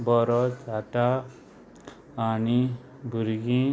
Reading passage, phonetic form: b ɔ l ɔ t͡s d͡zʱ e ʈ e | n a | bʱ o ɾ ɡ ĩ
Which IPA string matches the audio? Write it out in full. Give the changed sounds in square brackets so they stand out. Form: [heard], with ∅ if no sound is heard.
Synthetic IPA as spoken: b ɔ [ɾ] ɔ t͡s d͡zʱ [a] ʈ [a] | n [i] | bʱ [u] ɾ ɡ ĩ